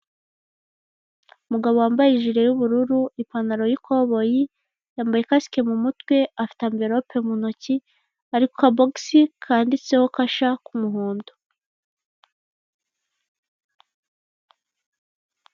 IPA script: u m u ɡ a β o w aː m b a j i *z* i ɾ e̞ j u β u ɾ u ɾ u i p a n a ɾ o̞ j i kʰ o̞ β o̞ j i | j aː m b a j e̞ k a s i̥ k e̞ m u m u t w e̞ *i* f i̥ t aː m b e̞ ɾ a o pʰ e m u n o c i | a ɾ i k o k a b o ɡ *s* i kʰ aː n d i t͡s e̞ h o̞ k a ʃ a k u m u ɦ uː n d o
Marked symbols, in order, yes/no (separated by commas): no, no, yes